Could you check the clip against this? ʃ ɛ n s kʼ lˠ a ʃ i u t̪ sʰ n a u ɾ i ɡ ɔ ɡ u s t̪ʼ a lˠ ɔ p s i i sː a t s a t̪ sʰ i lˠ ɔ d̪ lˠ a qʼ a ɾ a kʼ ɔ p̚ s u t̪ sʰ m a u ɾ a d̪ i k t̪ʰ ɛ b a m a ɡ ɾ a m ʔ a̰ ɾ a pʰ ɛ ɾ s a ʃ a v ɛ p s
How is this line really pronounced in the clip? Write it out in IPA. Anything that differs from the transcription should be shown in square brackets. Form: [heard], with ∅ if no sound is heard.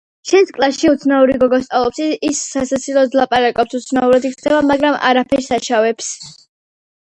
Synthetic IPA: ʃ ɛ n s kʼ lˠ a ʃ i u t̪ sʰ n a u ɾ i ɡ ɔ ɡ [ɔ] s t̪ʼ a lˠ ɔ p s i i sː a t s a t̪ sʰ i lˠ ɔ d̪ lˠ a [pʼ] a ɾ a kʼ ɔ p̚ s u t̪ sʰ [n] a u ɾ a d̪ i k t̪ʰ ɛ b a m a ɡ ɾ a m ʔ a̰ ɾ a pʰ ɛ ɾ s a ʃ a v ɛ p s